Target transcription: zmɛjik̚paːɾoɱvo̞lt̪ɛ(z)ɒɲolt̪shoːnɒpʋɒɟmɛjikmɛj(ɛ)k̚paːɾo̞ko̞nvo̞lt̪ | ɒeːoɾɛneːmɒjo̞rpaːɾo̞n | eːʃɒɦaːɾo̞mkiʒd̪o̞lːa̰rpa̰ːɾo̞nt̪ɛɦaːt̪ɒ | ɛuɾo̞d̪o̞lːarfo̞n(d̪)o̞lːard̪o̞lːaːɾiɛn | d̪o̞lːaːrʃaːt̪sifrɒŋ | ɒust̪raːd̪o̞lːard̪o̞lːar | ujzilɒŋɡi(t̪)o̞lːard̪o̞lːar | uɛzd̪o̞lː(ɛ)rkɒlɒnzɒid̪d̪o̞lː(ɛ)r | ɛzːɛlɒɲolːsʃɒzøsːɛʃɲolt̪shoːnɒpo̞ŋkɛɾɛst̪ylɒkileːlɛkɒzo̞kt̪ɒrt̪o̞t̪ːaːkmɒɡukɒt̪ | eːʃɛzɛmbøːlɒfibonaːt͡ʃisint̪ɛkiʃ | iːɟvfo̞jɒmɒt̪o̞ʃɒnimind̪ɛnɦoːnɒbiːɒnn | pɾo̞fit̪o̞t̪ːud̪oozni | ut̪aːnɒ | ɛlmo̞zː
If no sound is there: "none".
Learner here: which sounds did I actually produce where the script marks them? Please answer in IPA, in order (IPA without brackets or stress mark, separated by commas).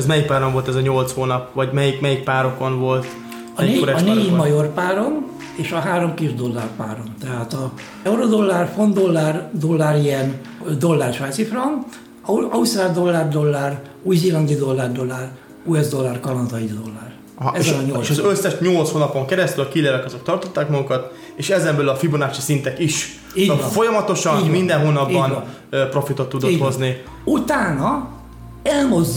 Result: z, i, d̪, d̪, a, a